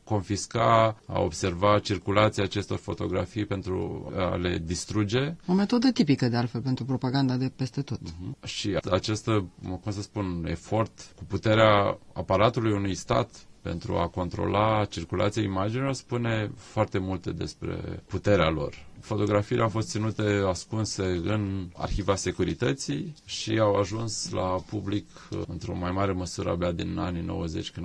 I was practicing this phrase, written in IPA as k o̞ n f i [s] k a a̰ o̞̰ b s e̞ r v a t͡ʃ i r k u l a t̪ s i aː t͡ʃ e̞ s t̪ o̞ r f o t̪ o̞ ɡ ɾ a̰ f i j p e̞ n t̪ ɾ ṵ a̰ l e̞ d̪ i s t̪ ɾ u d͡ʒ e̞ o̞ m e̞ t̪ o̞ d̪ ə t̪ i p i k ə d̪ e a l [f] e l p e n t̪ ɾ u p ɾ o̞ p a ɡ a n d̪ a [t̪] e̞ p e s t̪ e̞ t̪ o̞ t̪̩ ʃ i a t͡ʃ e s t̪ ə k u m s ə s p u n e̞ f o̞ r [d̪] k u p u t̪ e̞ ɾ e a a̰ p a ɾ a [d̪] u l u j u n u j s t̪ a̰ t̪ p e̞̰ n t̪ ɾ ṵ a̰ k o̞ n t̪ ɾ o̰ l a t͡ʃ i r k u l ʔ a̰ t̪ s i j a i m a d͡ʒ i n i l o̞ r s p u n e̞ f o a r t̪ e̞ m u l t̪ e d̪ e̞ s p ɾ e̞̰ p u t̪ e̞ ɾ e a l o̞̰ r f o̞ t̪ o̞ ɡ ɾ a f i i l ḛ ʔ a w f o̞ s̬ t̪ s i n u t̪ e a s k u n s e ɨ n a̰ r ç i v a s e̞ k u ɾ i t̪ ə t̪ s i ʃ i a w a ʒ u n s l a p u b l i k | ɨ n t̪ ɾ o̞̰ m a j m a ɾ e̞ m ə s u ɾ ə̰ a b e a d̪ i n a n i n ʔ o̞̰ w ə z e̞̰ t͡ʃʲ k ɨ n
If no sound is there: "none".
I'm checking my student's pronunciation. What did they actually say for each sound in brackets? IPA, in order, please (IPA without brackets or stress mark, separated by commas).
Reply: s, f, d̪, t̪, t̪